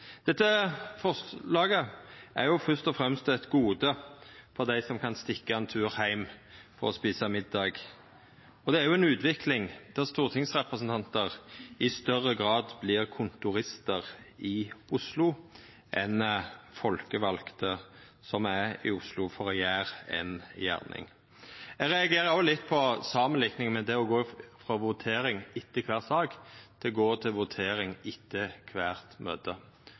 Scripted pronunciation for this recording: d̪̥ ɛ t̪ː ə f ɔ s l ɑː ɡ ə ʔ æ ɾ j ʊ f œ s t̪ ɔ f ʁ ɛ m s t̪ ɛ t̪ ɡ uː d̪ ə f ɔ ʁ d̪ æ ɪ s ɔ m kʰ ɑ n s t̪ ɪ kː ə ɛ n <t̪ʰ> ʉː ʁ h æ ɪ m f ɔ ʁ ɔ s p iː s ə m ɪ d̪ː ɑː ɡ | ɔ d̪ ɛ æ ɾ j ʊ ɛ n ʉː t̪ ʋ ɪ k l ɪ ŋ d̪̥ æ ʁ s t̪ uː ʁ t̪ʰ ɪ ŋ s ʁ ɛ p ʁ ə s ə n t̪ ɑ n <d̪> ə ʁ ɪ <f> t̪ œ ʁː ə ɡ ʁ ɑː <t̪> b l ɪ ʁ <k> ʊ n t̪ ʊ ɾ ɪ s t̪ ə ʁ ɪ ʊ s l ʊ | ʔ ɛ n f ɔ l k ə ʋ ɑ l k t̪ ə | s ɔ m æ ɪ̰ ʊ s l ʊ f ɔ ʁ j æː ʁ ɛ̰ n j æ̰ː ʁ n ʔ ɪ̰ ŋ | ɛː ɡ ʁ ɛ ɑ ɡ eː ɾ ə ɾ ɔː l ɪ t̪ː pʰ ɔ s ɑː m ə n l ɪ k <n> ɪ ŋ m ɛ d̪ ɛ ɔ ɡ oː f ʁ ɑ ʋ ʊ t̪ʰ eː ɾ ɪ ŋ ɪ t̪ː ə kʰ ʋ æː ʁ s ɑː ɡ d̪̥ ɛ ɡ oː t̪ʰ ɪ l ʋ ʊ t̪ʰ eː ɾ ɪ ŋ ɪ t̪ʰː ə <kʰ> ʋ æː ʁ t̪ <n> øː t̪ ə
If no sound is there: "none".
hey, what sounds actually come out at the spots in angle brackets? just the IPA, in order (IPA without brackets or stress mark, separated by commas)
t̪ʰ, t̪, s, d̪, kʰ, n, kʰ, m